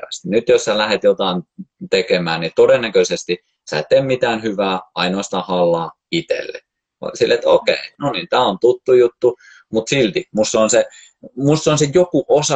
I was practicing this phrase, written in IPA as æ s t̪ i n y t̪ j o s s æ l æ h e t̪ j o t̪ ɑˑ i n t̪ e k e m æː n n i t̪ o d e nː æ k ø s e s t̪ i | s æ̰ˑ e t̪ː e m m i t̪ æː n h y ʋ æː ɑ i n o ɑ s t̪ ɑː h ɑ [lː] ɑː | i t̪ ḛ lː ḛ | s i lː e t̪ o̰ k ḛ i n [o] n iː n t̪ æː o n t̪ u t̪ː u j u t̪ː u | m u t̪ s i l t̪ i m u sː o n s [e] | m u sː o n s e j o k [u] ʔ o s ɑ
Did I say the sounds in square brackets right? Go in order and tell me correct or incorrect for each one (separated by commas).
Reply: correct, correct, correct, correct